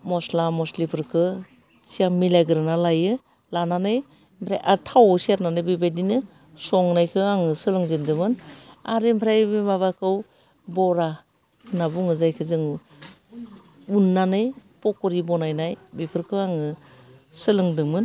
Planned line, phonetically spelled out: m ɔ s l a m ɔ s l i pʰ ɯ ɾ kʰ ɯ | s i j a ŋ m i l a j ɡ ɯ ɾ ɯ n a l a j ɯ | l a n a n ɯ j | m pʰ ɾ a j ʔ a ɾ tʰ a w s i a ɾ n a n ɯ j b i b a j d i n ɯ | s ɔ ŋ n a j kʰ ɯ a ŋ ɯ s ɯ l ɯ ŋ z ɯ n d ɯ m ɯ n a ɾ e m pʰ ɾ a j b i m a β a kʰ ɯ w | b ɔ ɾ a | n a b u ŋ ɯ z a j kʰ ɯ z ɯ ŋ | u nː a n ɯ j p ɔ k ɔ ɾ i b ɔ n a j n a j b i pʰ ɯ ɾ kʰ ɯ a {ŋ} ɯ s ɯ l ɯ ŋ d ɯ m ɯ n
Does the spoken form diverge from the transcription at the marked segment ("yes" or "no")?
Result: no